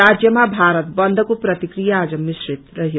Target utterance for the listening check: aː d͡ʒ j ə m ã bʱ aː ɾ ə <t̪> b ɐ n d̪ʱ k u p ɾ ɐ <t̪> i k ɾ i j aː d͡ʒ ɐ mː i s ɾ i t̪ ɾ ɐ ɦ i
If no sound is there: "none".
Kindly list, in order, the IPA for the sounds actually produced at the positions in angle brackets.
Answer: t̪, t̪

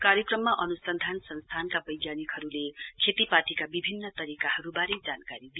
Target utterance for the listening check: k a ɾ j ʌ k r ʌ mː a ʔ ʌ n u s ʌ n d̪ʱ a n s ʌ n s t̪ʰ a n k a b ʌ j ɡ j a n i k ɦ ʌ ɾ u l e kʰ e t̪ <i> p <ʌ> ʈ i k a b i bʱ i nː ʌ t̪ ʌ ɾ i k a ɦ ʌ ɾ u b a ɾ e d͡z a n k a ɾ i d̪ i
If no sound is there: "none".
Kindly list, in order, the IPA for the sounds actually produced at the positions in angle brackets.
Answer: i, a

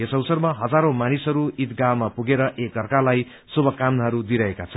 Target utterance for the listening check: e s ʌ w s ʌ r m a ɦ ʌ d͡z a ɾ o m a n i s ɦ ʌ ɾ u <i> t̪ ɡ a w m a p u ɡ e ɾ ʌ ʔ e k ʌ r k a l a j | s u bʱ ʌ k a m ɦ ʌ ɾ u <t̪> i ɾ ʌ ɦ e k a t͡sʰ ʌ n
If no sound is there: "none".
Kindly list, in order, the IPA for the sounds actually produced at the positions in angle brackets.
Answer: i, d̪

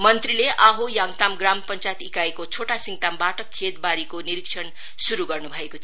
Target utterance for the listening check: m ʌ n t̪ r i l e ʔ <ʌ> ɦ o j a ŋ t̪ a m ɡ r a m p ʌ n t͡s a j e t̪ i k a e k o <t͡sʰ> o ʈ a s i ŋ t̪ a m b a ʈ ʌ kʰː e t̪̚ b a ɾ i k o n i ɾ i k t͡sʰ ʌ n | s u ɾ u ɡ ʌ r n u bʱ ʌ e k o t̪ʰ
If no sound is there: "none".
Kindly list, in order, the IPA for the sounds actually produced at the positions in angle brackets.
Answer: a, t͡sʰ

